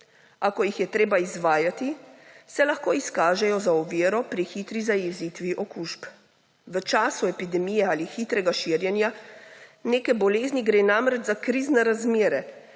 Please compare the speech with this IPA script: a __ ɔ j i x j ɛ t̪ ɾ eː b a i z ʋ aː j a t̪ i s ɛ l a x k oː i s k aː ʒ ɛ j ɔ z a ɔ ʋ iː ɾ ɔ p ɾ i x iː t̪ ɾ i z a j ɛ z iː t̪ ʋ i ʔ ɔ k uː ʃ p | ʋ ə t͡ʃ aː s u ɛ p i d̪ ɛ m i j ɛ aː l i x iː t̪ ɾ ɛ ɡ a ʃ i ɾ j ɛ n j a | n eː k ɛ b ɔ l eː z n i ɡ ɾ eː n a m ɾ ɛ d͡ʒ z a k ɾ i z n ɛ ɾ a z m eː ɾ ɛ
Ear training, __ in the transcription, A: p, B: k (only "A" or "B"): B